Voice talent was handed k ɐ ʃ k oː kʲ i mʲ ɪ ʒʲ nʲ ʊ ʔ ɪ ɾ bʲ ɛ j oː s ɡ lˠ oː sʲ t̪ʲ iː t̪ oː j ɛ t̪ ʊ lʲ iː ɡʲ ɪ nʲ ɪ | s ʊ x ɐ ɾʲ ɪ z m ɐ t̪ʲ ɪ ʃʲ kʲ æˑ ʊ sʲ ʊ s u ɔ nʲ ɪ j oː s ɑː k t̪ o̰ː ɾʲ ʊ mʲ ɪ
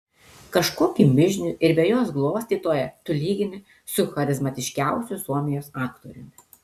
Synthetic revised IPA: k ɐ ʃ k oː kʲ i mʲ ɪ ʒʲ nʲ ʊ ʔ ɪ ɾ bʲ ɛ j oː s ɡ lˠ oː sʲ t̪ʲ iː t̪ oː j ɛ t̪ ʊ lʲ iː ɡʲ ɪ nʲ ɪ | s ʊ x ɐ ɾʲ ɪ z m ɐ t̪ʲ ɪ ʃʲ kʲ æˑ ʊ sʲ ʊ s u ɔ mʲ ɪ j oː s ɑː k t̪ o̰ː ɾʲ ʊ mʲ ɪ